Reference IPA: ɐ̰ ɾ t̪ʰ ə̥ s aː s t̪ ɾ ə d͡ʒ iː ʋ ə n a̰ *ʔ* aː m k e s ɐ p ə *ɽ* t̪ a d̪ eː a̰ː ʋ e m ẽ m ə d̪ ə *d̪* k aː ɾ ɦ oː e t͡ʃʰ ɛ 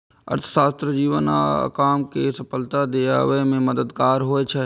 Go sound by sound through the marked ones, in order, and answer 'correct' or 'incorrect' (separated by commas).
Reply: incorrect, incorrect, correct